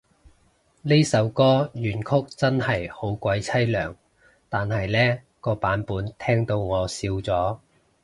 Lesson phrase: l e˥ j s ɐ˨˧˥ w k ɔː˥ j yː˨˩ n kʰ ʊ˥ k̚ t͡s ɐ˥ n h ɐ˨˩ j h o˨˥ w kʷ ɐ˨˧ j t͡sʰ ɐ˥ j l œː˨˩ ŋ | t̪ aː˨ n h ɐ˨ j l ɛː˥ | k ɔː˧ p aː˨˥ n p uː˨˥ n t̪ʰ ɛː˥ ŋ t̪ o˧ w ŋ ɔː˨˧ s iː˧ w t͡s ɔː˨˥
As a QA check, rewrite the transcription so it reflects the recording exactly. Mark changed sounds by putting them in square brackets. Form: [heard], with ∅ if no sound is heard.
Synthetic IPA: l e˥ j s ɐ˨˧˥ w k ɔː˥ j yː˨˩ n kʰ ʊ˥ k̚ t͡s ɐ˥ n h ɐ˨˩ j h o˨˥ w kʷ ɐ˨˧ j t͡sʰ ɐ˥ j l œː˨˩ ŋ | t̪ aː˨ n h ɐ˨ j l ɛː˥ | k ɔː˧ p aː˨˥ n p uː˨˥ n t̪ʰ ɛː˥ ŋ t̪ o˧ w ŋ ɔː˨˧ s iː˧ w t͡s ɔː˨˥

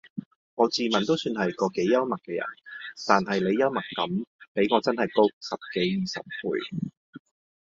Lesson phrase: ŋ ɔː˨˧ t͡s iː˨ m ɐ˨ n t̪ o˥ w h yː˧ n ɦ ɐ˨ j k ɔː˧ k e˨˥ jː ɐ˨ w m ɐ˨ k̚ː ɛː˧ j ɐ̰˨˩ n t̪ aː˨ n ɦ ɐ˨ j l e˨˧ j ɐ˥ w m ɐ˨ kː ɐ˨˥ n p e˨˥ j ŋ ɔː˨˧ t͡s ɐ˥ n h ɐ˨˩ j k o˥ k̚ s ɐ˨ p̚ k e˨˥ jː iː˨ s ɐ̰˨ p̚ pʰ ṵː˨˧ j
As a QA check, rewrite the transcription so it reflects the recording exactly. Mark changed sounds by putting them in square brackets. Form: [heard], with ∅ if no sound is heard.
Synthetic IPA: ŋ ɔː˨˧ t͡s iː˨ m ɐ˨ n t̪ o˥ w [s] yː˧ n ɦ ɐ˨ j k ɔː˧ k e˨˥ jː [ɐ˥] w m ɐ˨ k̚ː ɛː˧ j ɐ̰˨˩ n t̪ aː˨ n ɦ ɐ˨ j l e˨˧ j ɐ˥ w m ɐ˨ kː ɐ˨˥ [m] p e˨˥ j ŋ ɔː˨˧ t͡s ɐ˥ n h ɐ˨˩ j k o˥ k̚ s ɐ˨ p̚ k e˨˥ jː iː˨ s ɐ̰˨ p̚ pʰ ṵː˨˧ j

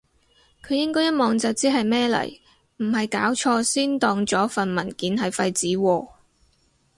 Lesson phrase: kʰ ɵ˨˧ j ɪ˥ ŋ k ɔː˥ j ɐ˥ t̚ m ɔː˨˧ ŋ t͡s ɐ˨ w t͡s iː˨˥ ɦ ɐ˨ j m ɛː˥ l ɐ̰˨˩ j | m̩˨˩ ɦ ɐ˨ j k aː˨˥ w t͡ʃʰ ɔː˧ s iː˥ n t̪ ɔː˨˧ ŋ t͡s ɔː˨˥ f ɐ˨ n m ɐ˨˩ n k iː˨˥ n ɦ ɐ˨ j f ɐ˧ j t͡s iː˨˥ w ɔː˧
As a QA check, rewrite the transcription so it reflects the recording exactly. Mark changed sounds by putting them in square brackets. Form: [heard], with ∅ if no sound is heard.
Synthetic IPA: kʰ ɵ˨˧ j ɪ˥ ŋ k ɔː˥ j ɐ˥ t̚ m ɔː˨˧ ŋ t͡s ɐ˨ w t͡s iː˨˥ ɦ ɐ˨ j m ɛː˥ l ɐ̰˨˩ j | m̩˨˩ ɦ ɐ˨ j k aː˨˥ w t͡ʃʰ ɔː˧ s iː˥ n t̪ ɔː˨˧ ŋ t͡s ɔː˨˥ f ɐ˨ n m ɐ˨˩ n k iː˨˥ n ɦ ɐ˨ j f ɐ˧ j t͡s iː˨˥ w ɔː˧

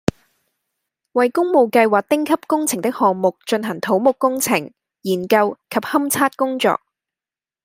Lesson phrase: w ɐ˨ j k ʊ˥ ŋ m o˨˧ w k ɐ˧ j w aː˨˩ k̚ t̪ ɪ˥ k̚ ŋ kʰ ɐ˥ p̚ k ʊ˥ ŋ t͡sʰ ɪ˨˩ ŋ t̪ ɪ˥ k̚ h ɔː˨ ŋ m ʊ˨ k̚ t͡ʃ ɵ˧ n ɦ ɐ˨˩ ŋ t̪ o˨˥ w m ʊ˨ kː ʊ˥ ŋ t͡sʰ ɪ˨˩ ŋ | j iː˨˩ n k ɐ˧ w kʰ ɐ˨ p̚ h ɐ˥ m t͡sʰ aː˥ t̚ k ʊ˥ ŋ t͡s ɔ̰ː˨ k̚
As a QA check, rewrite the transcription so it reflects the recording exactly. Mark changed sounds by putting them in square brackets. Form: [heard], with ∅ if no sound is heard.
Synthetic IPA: w ɐ˨ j k ʊ˥ ŋ m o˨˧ w k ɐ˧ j w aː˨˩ k̚ t̪ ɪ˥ [∅] ŋ kʰ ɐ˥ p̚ k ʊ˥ ŋ t͡sʰ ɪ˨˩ ŋ t̪ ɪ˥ k̚ h ɔː˨ ŋ m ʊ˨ k̚ t͡ʃ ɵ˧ n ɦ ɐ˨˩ ŋ [t̪ʰ] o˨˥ w m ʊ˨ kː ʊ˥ ŋ t͡sʰ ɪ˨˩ ŋ | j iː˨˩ n k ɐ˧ w kʰ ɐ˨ p̚ h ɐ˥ m t͡sʰ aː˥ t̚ k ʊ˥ ŋ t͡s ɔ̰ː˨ k̚

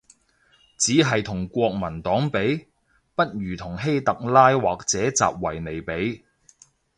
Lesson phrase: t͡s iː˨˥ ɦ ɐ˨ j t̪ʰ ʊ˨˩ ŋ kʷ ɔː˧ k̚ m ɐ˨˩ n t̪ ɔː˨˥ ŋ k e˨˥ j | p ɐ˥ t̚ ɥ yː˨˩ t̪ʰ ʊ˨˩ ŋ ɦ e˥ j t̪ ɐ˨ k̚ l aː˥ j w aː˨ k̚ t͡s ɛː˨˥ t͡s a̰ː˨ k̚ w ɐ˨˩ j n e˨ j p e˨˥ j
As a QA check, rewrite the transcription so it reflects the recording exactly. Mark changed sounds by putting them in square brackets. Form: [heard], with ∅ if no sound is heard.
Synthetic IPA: t͡s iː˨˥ ɦ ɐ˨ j t̪ʰ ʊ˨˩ ŋ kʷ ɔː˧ k̚ m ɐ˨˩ n t̪ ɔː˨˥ ŋ [p] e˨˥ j | p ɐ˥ t̚ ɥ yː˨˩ t̪ʰ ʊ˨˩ ŋ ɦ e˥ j t̪ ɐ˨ k̚ l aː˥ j w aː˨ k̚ t͡s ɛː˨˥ t͡s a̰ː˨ [p̚] w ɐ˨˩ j n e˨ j p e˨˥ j

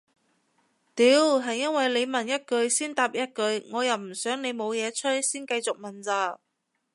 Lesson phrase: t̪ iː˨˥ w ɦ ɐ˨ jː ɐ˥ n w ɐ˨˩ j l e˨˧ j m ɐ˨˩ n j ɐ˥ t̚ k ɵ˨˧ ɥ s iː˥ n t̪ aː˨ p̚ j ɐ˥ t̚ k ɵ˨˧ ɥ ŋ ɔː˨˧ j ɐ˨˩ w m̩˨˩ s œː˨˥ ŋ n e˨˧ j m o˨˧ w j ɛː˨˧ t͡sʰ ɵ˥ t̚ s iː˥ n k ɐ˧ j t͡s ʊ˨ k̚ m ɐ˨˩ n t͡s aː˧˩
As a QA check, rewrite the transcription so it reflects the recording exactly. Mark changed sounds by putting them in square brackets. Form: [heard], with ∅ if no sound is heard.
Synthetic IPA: t̪ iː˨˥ w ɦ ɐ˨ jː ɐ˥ n w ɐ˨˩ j l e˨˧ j m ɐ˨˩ n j ɐ˥ t̚ k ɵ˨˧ ɥ s iː˥ n t̪ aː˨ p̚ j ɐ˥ t̚ k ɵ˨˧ ɥ ŋ ɔː˨˧ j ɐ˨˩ w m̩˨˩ s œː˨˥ ŋ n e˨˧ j m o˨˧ w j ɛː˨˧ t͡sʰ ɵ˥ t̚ s iː˥ n k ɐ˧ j t͡s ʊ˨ k̚ m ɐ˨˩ n t͡s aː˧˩

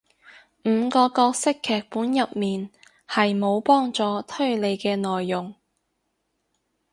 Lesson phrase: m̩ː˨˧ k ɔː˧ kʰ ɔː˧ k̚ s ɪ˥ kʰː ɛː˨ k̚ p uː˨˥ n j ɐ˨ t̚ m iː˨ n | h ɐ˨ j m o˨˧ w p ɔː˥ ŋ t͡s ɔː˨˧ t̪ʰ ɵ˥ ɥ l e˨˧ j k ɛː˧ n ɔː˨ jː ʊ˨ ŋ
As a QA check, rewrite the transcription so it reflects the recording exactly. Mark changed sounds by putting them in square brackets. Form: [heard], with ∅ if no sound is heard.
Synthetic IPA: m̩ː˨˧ k ɔː˧ [k] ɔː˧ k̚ s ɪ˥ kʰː ɛː˨ k̚ p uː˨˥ n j ɐ˨ [p̚] m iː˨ n | h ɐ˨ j m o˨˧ w p ɔː˥ ŋ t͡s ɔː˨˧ t̪ʰ ɵ˥ ɥ l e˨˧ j k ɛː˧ n ɔː˨ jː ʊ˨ ŋ

